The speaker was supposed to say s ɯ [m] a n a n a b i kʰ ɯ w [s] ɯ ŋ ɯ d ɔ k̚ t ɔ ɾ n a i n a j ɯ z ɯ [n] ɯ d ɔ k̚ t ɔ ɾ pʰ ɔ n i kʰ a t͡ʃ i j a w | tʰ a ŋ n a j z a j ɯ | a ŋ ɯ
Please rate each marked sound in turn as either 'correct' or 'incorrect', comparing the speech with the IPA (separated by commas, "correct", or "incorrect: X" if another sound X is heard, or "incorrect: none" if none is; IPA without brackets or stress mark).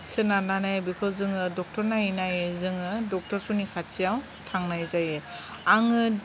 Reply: incorrect: n, incorrect: z, incorrect: ŋ